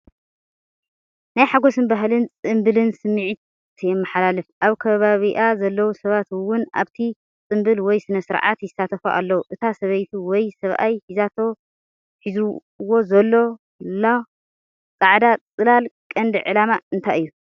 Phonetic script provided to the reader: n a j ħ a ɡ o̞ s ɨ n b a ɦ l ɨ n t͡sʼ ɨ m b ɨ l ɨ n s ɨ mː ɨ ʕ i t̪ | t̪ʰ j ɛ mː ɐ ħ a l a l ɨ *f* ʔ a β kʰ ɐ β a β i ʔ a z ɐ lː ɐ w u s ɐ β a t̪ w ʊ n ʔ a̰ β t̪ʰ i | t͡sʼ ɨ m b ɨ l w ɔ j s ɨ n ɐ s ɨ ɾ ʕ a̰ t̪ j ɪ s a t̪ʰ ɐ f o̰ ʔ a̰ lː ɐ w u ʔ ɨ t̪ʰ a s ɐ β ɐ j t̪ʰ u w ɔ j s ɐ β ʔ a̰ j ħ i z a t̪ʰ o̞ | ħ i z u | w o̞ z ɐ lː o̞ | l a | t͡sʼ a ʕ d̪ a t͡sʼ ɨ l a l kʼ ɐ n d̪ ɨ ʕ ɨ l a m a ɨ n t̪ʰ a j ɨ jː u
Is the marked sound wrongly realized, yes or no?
no